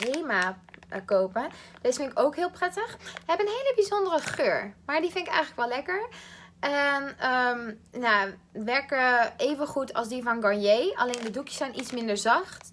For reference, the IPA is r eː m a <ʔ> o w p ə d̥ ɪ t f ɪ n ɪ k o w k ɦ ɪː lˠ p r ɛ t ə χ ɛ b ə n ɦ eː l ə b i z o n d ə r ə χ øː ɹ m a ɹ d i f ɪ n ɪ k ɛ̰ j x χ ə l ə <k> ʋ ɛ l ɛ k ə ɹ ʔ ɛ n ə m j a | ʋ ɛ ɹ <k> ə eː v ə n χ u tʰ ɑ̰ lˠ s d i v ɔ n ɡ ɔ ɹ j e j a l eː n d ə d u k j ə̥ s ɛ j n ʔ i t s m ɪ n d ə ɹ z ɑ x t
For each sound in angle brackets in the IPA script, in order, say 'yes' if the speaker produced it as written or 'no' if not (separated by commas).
no, yes, yes